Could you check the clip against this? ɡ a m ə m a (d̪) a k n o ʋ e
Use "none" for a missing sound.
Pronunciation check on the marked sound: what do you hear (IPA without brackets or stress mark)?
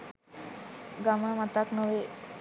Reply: t̪